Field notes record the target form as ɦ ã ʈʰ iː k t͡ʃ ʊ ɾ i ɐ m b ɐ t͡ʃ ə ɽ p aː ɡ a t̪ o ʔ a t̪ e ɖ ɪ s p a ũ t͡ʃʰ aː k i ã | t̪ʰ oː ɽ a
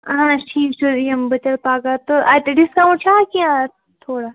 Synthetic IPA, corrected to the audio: ɦ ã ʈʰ iː k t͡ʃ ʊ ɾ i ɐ m b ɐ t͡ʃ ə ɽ p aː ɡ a t̪ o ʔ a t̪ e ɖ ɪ s k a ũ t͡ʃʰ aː k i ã | t̪ʰ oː ɽ a